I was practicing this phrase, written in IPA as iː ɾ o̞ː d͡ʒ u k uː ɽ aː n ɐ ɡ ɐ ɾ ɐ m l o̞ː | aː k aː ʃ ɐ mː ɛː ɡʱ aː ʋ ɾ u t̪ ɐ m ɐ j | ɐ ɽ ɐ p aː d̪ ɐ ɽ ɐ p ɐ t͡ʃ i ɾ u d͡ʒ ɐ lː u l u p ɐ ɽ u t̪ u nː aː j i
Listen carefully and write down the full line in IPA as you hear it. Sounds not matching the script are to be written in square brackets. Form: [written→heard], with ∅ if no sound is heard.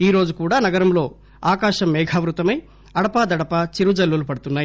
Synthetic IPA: iː ɾ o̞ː d͡ʒ u k uː ɽ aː n ɐ ɡ ɐ ɾ ɐ m l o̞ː | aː k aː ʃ ɐ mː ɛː ɡʱ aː ʋ ɾ u t̪ ɐ m ɐ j | ɐ ɽ ɐ p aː d̪ ɐ ɽ ɐ p ɐ t͡ʃ i ɾ u d͡ʒ ɐ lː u l u p ɐ ɽ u t̪ u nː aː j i

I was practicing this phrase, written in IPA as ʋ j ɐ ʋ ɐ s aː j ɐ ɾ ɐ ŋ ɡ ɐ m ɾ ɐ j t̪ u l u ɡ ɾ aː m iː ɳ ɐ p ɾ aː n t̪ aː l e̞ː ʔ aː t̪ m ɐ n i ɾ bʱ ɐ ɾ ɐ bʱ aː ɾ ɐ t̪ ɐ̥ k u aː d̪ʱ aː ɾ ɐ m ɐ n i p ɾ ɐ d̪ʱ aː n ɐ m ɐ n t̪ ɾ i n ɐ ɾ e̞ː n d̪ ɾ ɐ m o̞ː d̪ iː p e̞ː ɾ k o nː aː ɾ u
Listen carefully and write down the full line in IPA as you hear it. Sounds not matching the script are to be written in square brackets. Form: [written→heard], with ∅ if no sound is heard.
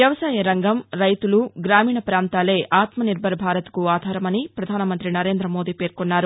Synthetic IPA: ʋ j ɐ ʋ ɐ s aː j ɐ ɾ ɐ ŋ ɡ ɐ m ɾ ɐ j t̪ u l u ɡ ɾ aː m iː ɳ ɐ p ɾ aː n t̪ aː l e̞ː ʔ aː t̪ m ɐ n i ɾ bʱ ɐ ɾ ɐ bʱ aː ɾ ɐ t̪ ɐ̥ k u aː d̪ʱ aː ɾ ɐ m ɐ n i p ɾ ɐ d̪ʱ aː n ɐ m ɐ n t̪ ɾ i n ɐ ɾ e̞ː n d̪ ɾ ɐ m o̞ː d̪ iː p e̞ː ɾ k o nː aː ɾ u

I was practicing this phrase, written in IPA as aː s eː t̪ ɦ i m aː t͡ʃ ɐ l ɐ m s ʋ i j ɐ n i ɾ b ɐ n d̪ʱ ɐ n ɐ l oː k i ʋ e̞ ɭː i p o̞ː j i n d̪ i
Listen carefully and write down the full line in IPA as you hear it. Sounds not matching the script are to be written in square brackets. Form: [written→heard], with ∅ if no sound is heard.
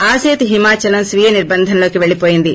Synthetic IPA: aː s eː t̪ ɦ i m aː t͡ʃ ɐ l ɐ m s ʋ i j ɐ n i ɾ b ɐ n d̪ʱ ɐ n ɐ l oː k i ʋ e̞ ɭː i p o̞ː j i n d̪ i

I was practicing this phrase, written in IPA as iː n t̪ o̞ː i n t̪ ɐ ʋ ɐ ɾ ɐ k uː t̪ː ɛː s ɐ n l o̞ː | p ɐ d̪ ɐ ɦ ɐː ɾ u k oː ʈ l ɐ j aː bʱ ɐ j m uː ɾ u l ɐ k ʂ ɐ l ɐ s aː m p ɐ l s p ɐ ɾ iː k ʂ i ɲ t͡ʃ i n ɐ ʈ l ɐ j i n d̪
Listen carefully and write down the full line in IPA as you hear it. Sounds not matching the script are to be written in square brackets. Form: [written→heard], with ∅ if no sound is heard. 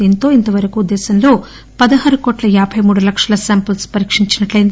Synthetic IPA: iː n t̪ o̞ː i n t̪ ɐ ʋ ɐ ɾ ɐ k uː [t̪ː→d̪ː] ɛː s ɐ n l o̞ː | p ɐ d̪ ɐ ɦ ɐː ɾ u k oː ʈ l ɐ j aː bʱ ɐ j m uː [ɾ→ɽ] u l ɐ k ʂ ɐ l ɐ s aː m p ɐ l s p ɐ ɾ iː k ʂ i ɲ t͡ʃ i n ɐ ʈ l ɐ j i n d̪

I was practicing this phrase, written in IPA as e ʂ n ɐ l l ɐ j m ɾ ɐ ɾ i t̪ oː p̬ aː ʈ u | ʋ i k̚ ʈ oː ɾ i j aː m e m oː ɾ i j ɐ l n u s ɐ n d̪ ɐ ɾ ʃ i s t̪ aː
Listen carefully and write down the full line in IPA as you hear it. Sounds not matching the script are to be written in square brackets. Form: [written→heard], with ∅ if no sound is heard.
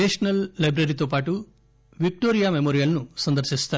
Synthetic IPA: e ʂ n ɐ l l ɐ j [m→b] ɾ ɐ ɾ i t̪ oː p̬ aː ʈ u | ʋ i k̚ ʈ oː ɾ i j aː m e m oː ɾ i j ɐ l n u s ɐ n d̪ ɐ ɾ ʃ i s t̪ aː

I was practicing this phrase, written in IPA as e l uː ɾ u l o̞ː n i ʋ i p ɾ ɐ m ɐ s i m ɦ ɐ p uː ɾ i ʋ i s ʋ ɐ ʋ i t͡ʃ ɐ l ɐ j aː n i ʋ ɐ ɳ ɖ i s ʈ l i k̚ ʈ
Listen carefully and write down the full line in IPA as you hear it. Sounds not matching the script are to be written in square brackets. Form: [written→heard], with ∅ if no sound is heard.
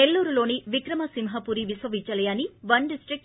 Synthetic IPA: e [l→lː] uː ɾ u l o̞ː n i ʋ i [p→k] ɾ ɐ m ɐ s i m ɦ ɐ p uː ɾ i ʋ i s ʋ ɐ ʋ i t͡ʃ ɐ l ɐ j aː n i ʋ ɐ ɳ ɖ i s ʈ [l→ɾ] i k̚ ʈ

